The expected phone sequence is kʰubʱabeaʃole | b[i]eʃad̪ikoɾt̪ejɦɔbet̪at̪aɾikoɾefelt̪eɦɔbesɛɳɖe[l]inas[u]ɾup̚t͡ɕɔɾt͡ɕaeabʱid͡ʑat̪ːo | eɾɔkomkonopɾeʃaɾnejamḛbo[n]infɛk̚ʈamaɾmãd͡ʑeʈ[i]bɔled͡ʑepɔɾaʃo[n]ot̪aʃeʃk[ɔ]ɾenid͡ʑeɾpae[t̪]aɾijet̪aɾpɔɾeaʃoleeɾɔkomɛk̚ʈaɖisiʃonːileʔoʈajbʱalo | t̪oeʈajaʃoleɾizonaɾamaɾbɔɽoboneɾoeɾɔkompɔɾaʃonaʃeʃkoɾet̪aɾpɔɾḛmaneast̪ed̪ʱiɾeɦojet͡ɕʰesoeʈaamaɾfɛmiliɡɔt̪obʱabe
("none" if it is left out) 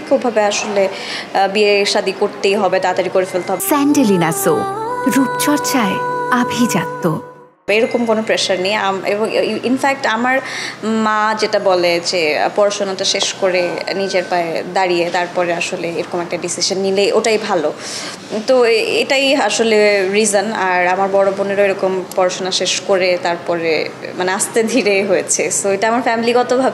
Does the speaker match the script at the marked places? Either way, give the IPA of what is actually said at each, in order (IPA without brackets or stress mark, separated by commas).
i, l, o, ŋ, a, n, o, d̪